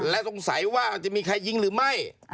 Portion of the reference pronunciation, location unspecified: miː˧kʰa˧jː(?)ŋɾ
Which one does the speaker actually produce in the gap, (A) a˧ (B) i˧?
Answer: B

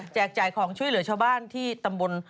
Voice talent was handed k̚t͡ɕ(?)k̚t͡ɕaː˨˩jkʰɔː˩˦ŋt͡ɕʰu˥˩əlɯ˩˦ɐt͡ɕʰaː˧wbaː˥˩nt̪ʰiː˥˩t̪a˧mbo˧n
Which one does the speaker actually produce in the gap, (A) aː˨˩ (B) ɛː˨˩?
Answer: B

